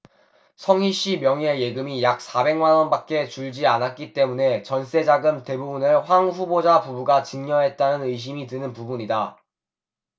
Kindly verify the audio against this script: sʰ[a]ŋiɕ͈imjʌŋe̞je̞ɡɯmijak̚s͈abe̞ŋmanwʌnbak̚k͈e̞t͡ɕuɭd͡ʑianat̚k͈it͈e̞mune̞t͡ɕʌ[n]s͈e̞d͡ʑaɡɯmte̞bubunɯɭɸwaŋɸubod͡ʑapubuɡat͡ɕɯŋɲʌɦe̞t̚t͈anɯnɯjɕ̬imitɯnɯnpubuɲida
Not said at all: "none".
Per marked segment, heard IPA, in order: ʌ, n

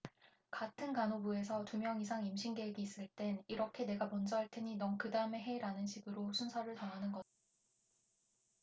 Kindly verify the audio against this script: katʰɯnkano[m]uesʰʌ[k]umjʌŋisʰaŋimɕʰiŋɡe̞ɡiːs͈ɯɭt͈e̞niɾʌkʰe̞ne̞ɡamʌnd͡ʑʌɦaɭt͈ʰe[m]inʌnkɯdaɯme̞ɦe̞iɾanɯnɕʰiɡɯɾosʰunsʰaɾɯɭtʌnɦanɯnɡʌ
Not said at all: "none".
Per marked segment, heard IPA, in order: b, t, ɲ

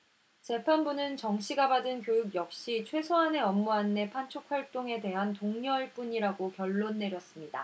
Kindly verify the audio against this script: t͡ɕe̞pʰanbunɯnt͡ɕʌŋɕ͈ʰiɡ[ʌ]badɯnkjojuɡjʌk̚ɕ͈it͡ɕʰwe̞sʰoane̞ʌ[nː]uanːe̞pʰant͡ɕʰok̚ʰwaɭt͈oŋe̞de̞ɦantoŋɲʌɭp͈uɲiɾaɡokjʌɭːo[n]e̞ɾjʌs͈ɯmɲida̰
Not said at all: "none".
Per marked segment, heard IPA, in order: a, mː, nː

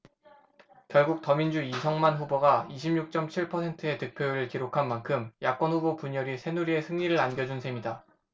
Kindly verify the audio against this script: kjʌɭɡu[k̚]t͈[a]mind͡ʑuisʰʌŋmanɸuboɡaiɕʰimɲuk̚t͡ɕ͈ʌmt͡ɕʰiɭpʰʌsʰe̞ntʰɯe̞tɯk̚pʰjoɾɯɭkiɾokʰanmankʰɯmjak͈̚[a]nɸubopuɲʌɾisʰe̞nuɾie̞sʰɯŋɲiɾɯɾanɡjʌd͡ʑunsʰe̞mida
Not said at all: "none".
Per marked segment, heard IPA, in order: k̚, ʌ, ʌ

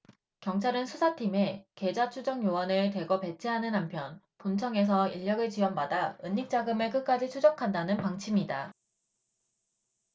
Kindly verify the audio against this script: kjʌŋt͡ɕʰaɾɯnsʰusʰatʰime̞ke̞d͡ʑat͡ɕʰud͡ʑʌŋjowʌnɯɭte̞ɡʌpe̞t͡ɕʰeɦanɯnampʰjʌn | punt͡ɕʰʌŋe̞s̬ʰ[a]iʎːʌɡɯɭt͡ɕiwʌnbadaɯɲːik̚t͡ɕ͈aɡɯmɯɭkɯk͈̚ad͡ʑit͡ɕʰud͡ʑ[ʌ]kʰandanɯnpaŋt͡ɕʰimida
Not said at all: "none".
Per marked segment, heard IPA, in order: ʌ, ʌ

